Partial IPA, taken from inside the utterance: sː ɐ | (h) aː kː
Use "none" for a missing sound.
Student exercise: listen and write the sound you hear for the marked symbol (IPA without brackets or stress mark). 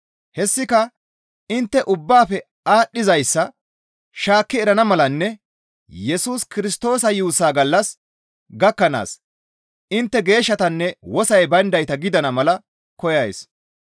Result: ʃ